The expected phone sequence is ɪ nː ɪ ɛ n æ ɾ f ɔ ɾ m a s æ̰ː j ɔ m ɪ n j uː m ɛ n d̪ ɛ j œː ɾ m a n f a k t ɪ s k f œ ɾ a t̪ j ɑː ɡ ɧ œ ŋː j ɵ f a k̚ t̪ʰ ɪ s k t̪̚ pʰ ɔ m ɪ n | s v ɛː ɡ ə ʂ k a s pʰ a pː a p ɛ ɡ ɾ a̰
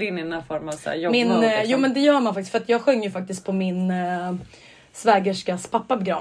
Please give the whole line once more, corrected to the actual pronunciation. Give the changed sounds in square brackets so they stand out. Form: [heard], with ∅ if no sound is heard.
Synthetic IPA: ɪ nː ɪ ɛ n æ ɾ f ɔ ɾ m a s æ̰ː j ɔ m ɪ n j uː m ɛ n d̪ ɛ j œː ɾ m a n f a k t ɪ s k f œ ɾ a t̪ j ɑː ɡ ɧ œ ŋː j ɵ f a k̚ [t̪] ɪ s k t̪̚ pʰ ɔ m ɪ n | s v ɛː ɡ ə ʂ k a s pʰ a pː a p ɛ ɡ ɾ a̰